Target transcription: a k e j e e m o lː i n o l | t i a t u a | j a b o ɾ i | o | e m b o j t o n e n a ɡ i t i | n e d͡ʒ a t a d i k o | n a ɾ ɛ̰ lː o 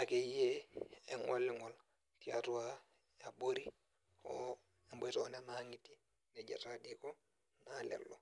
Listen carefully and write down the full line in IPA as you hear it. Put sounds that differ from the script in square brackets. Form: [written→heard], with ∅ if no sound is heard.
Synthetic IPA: a k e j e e [m→ŋ] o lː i [n→ŋ] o l | t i a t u a | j a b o ɾ i | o | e m b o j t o n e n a [ɡ→ŋ] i t i | n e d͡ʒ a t a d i k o | n a [ɾ→l] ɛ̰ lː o